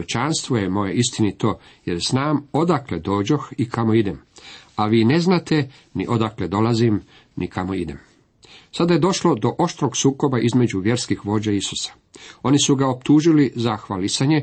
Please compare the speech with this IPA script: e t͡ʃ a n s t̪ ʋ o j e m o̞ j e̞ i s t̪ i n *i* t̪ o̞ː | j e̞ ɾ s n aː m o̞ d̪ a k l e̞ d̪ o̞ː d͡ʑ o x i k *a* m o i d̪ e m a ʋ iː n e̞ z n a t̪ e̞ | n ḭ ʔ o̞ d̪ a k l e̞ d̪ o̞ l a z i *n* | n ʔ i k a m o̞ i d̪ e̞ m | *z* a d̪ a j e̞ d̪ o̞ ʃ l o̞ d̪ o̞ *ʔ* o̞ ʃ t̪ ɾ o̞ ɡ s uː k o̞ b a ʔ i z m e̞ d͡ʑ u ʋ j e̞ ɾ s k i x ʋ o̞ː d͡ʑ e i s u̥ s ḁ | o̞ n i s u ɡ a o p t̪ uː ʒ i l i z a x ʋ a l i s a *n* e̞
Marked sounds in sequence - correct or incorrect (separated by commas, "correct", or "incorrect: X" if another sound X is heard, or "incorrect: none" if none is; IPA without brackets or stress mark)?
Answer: correct, correct, incorrect: m, incorrect: s, correct, incorrect: ɲ